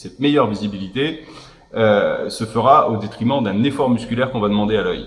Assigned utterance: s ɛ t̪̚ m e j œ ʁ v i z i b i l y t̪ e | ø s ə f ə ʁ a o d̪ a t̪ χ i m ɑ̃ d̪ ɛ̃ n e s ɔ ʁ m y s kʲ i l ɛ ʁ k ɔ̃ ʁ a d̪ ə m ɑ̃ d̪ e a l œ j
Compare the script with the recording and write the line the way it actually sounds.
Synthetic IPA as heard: s ɛ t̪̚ m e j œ ʁ v i z i b i l i t̪ e | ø s ə f ə ʁ a o d̪ e t̪ χ i m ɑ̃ d̪ ɛ̃ n e f ɔ ʁ m y s kʲ y l ɛ ʁ k ɔ̃ v a d̪ ə m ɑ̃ d̪ e a l œ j